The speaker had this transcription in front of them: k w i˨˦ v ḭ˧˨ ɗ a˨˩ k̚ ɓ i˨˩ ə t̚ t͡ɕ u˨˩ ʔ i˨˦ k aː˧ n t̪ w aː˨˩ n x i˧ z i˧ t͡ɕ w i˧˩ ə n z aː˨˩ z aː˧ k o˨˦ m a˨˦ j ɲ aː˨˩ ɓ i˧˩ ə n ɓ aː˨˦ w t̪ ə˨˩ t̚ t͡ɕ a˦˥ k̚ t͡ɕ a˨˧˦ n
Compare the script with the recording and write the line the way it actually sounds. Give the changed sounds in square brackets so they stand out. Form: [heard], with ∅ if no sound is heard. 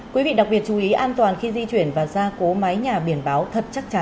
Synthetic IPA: k w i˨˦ v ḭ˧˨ ɗ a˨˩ k̚ ɓ i˨˩ ə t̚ t͡ɕ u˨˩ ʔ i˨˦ [ʔ] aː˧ n t̪ w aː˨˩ n x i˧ z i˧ t͡ɕ w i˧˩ ə n [v] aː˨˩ z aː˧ k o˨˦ m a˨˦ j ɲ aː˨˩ ɓ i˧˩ ə n ɓ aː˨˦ w [t̪ʰ] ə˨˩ t̚ t͡ɕ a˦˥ k̚ t͡ɕ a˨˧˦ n